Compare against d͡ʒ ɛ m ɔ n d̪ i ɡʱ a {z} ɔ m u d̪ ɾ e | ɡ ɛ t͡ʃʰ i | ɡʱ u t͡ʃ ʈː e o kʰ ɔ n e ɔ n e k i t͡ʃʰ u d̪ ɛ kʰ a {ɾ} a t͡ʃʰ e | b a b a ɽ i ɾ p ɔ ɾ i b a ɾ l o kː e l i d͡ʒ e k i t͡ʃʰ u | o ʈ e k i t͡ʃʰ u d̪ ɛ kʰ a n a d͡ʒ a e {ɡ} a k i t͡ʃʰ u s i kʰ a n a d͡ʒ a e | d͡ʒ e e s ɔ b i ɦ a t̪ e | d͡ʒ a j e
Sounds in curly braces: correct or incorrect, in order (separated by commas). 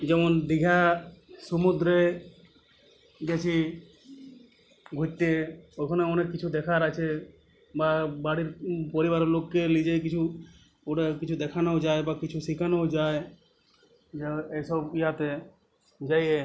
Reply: incorrect, correct, incorrect